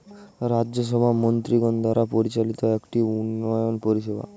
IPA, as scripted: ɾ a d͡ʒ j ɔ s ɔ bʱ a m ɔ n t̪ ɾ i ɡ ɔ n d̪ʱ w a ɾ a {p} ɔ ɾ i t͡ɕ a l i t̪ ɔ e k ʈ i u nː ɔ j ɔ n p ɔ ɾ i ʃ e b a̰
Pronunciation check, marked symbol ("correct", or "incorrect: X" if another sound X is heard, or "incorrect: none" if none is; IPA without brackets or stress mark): correct